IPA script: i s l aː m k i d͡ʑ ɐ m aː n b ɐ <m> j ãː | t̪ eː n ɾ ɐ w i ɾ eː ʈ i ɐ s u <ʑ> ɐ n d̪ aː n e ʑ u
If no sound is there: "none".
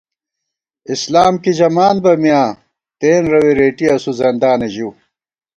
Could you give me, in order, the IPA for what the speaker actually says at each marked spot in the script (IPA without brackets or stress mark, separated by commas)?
m, z